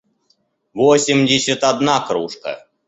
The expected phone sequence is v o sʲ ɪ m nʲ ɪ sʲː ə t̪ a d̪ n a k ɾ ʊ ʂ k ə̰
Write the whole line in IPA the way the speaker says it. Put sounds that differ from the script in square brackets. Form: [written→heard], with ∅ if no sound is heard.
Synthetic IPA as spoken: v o sʲ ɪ m [nʲ→dʲ] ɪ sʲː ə t̪ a d̪ n a k ɾ [ʊ→u] ʂ k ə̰